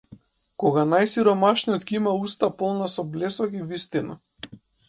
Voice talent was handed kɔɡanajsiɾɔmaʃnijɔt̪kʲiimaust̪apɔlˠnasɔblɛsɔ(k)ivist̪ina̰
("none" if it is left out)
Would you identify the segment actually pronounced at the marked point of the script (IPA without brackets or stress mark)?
k